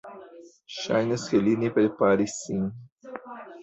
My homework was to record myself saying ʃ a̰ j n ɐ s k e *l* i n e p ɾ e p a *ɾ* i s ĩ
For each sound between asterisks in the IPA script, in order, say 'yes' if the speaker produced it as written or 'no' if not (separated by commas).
yes, yes